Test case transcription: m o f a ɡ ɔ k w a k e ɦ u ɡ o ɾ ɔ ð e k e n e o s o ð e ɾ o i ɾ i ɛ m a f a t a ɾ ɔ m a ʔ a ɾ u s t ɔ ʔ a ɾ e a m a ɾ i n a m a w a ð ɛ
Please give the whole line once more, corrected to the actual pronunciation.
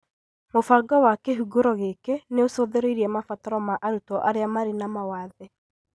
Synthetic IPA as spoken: m o f a ɡ ɔ w a k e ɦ u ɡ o ɾ ɔ ɣ e k e n e o s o ð e ɾ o i ɾ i ɛ m a f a t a ɾ ɔ m a ʔ a ɾ u t ɔ ʔ a ɾ e a m a ɾ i n a m a w a ð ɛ

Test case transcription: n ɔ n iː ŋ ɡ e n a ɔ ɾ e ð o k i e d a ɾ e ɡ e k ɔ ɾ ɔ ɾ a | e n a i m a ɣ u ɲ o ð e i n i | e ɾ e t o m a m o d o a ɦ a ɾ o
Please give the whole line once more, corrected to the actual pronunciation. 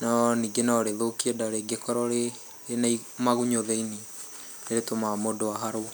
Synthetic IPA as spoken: n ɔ n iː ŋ ɡ e n a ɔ ɾ e ð o k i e d a ɾ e ɡ e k ɔ ɾ ɔ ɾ e | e n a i m a ɣ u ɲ o ð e i n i | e ɾ e t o m a m o d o a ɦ a ɾ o

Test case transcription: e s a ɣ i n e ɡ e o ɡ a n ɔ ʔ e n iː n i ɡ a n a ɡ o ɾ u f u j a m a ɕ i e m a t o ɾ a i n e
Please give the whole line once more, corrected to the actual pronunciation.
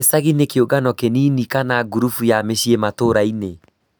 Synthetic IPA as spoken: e s a ɣ i n e k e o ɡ a n ɔ k e n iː n i k a n a ɡ u ɾ u f u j a m e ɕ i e m a t o ɾ a i n e

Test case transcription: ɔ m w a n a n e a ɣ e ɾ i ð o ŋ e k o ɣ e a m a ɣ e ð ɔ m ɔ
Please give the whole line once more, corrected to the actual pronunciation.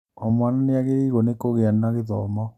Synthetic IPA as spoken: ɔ m w a n a n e a ɣ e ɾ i ɣ o n e k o ɣ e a n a ɣ e ð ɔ m ɔ

